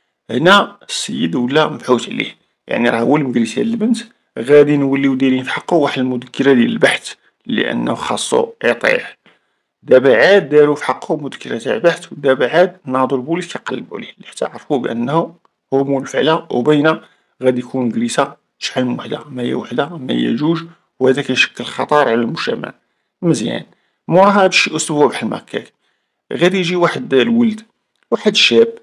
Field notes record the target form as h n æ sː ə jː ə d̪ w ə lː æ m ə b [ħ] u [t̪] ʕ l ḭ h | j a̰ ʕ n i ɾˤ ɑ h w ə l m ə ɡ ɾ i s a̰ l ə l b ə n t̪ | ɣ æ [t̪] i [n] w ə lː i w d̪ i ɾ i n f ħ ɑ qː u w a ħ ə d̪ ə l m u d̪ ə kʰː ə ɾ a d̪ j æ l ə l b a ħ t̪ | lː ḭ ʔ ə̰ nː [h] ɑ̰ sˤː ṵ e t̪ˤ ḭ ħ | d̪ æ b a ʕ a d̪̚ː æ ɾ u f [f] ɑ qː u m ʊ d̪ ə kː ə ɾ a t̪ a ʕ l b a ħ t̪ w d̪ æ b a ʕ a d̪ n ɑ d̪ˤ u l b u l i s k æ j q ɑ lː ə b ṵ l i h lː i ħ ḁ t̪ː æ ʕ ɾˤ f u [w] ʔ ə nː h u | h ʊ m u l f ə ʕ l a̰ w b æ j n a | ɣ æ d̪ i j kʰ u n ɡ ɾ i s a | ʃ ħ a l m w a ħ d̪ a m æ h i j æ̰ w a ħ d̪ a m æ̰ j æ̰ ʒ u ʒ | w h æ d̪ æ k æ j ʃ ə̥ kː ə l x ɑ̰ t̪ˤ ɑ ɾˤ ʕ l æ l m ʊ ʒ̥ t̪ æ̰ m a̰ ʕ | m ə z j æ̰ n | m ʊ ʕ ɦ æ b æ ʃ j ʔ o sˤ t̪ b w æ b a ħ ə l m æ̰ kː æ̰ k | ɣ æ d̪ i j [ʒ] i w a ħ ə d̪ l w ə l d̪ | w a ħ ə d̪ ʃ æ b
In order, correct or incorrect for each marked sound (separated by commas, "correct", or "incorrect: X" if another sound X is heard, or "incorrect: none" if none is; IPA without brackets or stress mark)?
correct, correct, incorrect: d̪, correct, incorrect: x, incorrect: ħ, incorrect: b, correct